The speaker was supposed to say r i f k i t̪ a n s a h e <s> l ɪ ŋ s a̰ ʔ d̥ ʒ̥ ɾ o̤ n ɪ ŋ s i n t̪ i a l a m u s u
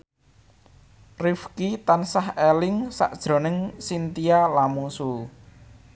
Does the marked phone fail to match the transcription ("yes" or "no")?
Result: yes